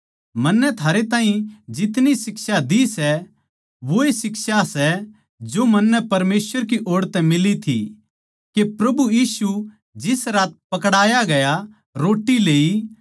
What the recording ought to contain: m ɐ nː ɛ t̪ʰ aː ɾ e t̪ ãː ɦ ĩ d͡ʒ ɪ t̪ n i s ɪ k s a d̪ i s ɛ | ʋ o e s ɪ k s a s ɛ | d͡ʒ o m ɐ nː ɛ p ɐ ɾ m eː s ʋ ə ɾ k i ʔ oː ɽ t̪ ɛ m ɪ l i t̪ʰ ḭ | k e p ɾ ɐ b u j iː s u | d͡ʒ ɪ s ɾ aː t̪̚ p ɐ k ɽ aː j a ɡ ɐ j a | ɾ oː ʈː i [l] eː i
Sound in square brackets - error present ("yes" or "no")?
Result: no